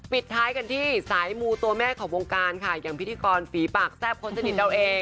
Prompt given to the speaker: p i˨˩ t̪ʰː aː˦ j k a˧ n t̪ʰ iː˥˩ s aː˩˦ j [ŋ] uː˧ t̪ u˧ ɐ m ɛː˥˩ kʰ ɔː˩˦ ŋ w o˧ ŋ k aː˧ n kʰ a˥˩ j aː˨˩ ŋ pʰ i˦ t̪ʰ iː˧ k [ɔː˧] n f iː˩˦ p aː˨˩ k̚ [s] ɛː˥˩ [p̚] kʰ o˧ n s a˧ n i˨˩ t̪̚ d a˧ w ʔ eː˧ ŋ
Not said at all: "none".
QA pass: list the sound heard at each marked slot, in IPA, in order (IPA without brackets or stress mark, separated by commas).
m, ɔː˧, s, p̚